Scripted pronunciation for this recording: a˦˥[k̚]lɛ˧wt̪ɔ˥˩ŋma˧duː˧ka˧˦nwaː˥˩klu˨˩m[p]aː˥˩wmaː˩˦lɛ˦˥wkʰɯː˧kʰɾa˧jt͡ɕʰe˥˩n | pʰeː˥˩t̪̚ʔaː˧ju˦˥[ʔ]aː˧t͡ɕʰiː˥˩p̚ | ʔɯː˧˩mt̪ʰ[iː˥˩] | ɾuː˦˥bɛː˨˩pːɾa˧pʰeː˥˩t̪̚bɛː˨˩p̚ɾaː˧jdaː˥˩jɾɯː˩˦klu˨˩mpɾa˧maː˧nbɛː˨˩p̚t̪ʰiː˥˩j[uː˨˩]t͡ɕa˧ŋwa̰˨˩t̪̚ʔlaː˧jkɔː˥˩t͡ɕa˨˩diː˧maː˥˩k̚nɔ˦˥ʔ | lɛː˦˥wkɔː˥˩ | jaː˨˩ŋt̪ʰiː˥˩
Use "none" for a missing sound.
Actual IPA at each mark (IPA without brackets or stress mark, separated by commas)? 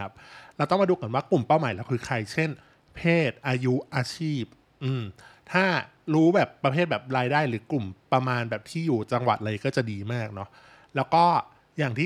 p̚, p, ʔ, aː˥˩, uː˨˩